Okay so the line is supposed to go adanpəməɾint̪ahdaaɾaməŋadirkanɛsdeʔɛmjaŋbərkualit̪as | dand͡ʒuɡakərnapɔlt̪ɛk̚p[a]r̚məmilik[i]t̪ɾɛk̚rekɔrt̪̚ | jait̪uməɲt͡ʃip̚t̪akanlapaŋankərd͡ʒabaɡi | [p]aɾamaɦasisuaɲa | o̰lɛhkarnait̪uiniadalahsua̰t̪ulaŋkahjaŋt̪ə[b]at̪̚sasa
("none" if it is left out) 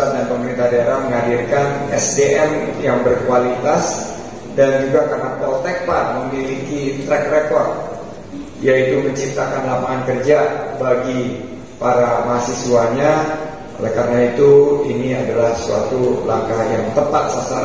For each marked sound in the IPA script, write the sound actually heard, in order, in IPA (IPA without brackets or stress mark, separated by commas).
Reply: a, i, p, p